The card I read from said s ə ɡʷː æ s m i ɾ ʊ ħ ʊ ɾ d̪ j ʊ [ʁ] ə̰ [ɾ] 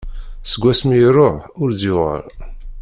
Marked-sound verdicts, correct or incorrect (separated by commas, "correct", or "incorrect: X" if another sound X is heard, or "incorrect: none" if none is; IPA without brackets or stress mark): correct, correct